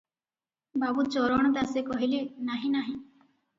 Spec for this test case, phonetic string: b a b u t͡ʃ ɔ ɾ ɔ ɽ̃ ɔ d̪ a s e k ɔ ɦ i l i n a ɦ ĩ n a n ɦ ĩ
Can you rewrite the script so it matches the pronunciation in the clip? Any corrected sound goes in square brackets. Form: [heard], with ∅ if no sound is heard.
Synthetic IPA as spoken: b a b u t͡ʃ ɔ ɾ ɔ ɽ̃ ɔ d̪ a s e k ɔ ɦ i l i n a ɦ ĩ n a [∅] ɦ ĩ